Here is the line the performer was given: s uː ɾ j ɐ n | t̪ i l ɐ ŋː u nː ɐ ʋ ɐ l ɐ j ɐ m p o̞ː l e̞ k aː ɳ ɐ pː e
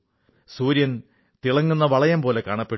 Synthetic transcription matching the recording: s uː ɾ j ɐ n | t̪ i ɭ ɐ ŋː u nː ɐ ʋ ɐ ɭ ɐ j ɐ m p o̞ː l e̞ k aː ɳ ɐ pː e